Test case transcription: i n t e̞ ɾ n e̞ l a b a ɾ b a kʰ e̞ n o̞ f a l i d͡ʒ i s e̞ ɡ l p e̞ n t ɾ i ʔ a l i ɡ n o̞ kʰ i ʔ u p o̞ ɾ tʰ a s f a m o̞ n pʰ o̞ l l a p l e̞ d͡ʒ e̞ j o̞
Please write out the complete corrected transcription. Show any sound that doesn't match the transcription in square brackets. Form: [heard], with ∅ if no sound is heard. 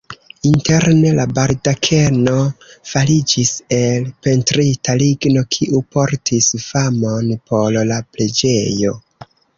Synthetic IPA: i n t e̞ ɾ n e̞ l a b a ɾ [d] a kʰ e̞ n o̞ f a l i d͡ʒ i s e̞ [∅] l p e̞ n t ɾ i [t] a l i ɡ n o̞ kʰ i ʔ u p o̞ ɾ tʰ [i] s f a m o̞ n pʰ o̞ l l a p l e̞ d͡ʒ e̞ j o̞